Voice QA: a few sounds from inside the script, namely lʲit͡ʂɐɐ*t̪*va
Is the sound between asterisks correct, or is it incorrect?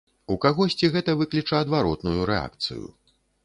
incorrect: d̪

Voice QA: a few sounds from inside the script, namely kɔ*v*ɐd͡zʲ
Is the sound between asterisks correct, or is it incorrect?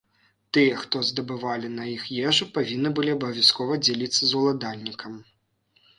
correct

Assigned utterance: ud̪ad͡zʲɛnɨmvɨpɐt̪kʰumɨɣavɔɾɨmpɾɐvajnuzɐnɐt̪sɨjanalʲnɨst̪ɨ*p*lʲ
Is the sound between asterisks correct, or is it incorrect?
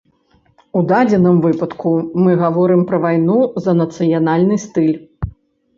incorrect: none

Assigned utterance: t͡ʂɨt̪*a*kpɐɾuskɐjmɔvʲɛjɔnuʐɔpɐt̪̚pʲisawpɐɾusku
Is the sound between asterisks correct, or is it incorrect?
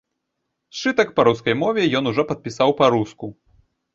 incorrect: ɐ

